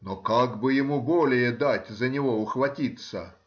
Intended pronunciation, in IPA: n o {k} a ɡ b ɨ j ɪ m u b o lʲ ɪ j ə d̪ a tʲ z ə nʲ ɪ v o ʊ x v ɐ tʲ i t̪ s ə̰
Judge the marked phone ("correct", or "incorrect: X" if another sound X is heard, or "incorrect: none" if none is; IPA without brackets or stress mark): correct